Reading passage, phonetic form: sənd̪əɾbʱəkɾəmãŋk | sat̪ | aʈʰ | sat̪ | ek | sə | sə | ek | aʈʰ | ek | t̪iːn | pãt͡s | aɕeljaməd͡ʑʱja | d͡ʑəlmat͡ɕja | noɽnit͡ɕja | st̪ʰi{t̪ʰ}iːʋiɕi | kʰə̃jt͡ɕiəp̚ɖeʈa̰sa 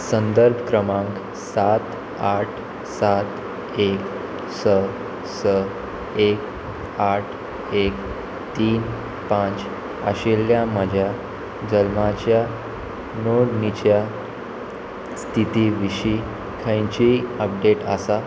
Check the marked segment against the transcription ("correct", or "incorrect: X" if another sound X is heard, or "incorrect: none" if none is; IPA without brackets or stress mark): incorrect: t̪